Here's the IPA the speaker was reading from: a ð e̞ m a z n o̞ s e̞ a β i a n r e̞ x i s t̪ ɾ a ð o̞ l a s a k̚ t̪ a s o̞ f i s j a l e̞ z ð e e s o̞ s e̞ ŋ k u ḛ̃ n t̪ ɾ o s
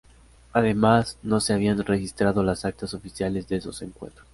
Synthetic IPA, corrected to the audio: a ð e̞ m a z n o̞ s e̞ a β i a n r e̞ x i s t̪ ɾ a ð o̞ l a s a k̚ t̪ a s o̞ f i s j a l e̞ z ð e e s o̞ s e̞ ŋ k w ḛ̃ n t̪ ɾ o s